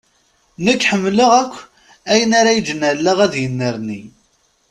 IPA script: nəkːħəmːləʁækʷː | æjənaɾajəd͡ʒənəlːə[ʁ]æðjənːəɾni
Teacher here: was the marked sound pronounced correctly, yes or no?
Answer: yes